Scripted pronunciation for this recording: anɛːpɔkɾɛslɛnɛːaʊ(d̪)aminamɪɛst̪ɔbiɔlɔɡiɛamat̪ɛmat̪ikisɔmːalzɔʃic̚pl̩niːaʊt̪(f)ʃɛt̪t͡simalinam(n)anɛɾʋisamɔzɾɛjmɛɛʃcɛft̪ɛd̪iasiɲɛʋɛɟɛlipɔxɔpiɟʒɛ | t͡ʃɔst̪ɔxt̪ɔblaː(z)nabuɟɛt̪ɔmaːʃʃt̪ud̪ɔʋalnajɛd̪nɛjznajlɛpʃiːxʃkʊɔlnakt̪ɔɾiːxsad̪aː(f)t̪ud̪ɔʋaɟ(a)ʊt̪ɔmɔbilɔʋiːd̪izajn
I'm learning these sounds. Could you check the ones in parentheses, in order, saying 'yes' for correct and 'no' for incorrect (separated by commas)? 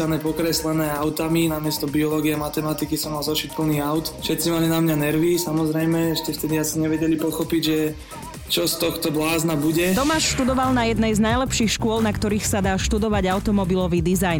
no, yes, no, yes, no, yes